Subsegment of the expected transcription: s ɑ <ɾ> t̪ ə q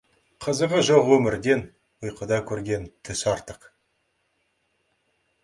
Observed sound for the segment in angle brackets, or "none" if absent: ɾ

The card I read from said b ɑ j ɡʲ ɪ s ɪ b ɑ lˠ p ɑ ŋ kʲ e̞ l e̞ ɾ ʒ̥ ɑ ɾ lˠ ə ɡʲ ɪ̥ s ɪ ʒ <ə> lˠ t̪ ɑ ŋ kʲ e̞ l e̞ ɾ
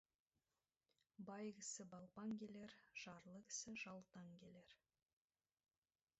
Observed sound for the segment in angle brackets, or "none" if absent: ɑ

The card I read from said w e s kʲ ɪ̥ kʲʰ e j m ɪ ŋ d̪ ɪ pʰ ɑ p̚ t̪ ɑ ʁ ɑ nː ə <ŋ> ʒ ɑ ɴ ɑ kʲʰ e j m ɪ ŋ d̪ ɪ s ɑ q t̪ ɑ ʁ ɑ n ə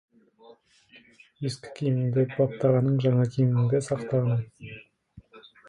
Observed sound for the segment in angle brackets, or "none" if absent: ɴ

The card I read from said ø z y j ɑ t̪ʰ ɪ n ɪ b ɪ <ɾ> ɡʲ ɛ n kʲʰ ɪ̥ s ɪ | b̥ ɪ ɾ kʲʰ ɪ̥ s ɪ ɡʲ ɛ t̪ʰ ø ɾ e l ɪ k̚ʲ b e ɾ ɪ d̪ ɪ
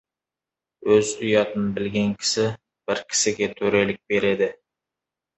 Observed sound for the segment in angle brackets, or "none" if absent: l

